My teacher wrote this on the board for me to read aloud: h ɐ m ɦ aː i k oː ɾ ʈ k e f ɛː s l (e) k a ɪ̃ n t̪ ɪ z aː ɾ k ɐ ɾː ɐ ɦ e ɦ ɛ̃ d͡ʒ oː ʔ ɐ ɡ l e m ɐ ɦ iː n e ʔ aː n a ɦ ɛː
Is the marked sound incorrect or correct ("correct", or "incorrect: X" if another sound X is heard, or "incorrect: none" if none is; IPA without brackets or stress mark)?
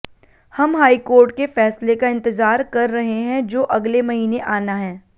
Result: correct